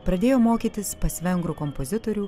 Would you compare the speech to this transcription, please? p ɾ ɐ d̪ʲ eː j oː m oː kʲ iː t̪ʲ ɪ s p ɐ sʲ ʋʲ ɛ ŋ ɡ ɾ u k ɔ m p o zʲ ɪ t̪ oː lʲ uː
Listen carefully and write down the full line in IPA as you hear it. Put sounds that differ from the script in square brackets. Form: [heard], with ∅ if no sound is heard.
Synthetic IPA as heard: p ɾ ɐ d̪ʲ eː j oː m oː kʲ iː t̪ʲ ɪ s p ɐ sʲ ʋʲ ɛ ŋ ɡ ɾ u k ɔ m p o zʲ ɪ t̪ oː [ɾʲ] uː